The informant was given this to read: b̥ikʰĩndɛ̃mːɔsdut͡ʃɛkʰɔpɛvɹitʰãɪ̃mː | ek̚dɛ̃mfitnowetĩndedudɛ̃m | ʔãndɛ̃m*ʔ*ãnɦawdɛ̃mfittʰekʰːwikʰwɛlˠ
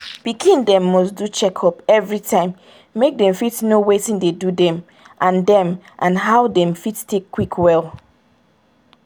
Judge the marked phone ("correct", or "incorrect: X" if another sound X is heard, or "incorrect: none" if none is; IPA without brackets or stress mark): correct